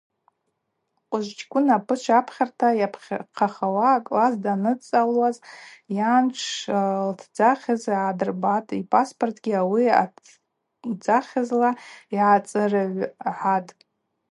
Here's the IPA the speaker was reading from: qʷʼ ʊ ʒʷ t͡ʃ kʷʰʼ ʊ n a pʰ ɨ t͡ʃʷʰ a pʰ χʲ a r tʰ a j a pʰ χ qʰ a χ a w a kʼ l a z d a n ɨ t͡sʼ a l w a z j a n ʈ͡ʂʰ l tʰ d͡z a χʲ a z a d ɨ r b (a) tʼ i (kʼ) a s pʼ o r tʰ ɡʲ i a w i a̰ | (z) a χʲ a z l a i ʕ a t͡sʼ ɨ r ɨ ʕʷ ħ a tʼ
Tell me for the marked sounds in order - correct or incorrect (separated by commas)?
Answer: correct, incorrect, incorrect